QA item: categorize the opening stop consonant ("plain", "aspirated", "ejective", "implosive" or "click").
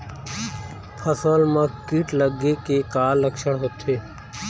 aspirated